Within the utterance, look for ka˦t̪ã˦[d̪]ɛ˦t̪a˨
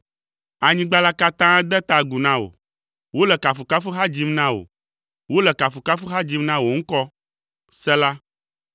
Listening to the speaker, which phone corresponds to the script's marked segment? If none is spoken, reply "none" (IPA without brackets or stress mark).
d̪